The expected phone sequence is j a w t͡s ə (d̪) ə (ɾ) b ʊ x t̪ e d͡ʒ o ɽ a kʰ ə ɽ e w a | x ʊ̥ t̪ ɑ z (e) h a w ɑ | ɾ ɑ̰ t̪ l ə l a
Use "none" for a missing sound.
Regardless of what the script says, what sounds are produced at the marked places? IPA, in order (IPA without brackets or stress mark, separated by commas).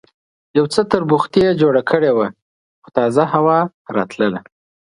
t̪, ɾ, a